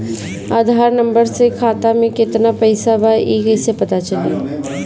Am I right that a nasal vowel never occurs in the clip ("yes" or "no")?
no